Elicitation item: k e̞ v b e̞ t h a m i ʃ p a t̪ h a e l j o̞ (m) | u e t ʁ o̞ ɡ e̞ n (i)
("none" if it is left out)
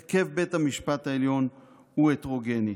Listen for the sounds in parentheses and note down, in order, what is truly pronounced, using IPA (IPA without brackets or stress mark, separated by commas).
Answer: n, i